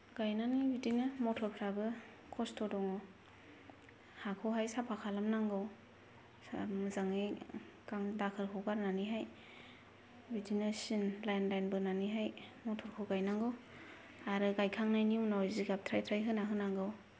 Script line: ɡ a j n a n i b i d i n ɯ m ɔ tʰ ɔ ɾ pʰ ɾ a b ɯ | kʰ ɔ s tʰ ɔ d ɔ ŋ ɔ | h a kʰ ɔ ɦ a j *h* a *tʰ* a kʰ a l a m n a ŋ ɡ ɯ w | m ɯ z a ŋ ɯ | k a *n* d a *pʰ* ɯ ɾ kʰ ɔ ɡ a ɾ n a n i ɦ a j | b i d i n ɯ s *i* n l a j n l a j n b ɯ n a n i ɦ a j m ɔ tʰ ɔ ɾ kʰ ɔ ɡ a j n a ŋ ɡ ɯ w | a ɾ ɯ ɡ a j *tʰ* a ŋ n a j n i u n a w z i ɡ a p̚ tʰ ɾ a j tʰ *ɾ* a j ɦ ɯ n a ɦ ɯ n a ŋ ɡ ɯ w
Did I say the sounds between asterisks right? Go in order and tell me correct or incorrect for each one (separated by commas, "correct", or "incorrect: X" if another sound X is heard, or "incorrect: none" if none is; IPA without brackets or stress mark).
incorrect: s, incorrect: pʰ, incorrect: ŋ, incorrect: kʰ, correct, incorrect: kʰ, correct